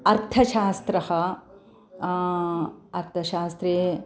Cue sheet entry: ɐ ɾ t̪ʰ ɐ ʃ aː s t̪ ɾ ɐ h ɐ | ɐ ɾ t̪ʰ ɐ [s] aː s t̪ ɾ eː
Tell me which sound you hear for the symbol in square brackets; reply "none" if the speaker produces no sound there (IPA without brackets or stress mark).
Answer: ʃ